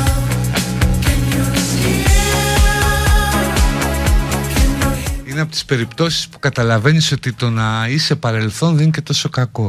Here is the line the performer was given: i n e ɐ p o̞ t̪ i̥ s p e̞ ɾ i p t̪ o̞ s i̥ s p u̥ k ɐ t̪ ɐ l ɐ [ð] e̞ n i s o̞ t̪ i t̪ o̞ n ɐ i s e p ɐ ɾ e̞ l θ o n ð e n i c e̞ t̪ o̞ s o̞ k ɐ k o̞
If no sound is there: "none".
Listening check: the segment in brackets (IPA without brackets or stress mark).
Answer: v